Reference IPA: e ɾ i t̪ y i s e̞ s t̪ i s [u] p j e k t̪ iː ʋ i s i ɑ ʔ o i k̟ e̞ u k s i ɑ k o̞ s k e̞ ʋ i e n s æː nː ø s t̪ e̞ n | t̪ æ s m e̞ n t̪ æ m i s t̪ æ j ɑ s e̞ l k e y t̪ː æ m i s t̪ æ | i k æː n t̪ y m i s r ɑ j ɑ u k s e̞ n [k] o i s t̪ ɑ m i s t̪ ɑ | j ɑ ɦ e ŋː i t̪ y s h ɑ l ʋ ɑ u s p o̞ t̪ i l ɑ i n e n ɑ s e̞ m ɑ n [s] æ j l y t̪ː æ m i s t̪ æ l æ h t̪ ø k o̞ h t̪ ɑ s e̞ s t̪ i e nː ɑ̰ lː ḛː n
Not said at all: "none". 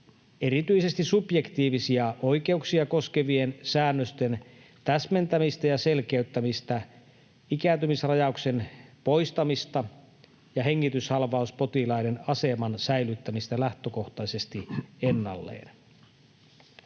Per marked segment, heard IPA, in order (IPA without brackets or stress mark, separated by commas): u, p, s